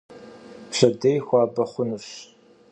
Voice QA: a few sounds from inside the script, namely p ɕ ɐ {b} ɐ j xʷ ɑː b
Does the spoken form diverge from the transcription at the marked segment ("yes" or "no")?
yes